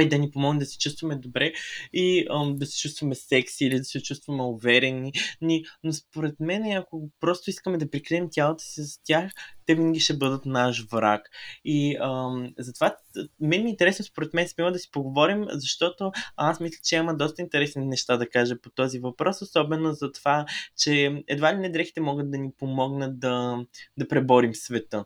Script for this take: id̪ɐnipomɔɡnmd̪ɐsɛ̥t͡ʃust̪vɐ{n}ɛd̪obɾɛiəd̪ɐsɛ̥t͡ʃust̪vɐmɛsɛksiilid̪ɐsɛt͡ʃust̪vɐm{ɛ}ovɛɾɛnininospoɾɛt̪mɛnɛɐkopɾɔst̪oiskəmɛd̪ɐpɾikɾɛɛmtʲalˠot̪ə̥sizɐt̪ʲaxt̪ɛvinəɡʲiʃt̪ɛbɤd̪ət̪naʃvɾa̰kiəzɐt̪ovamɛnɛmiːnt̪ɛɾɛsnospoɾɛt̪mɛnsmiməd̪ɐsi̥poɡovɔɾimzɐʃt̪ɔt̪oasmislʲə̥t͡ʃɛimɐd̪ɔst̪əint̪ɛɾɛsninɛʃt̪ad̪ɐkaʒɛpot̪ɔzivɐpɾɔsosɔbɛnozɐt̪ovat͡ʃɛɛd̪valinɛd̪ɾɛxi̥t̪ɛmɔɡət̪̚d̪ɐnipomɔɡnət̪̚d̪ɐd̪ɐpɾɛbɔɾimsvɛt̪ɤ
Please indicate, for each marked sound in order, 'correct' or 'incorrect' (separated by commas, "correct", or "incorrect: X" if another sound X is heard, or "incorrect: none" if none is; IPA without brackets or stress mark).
incorrect: m, correct